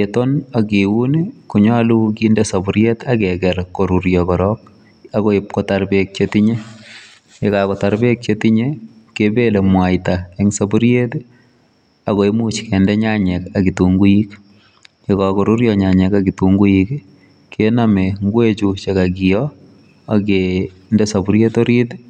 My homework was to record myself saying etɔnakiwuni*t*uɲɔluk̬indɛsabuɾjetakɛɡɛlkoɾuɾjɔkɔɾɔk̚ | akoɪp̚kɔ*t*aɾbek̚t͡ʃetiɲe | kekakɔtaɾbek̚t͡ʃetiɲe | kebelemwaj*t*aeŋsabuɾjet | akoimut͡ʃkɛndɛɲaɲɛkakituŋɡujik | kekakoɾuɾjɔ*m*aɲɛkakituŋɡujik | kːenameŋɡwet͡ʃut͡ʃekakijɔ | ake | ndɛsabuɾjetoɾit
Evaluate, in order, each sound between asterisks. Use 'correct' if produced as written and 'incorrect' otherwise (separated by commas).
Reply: incorrect, correct, correct, incorrect